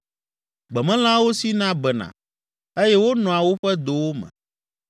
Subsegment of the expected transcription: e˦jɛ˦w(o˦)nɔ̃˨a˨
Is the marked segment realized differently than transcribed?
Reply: no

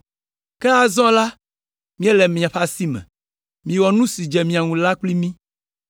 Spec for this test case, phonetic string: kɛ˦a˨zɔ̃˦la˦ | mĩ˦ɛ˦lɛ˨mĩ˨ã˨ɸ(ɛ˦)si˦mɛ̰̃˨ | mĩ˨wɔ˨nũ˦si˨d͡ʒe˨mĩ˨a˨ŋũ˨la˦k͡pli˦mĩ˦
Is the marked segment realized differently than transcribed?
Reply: yes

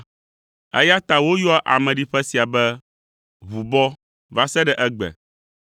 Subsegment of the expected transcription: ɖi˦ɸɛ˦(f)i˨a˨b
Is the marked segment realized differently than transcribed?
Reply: yes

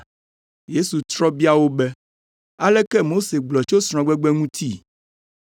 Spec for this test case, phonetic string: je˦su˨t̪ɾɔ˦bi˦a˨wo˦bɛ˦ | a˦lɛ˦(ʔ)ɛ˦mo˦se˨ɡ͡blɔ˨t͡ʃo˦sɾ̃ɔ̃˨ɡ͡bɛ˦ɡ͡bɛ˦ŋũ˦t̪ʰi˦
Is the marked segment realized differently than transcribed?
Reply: yes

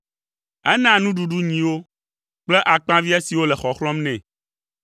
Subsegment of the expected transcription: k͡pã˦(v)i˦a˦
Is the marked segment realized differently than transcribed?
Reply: no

